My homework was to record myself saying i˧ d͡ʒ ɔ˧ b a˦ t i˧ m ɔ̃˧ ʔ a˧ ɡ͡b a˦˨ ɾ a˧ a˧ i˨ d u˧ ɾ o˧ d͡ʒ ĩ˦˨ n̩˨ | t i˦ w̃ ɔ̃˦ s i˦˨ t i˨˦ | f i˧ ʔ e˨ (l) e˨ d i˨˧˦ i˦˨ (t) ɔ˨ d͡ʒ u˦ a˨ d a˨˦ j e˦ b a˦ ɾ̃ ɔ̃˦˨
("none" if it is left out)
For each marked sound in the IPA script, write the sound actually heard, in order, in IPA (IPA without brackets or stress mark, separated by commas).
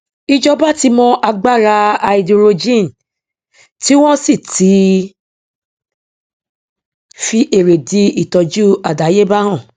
ɾ, t